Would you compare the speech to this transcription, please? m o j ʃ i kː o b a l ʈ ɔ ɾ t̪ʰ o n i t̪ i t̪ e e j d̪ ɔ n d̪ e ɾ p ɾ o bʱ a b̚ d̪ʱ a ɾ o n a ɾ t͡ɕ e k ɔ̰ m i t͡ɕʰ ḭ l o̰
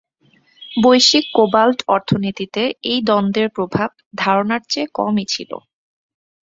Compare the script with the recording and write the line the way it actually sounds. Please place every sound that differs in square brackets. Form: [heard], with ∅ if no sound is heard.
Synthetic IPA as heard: [b] o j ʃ i kː o b a l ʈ ɔ ɾ t̪ʰ o n i t̪ i t̪ e e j d̪ ɔ n d̪ e ɾ p ɾ o bʱ a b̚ d̪ʱ a ɾ o n a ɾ t͡ɕ e k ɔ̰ m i t͡ɕʰ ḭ l o̰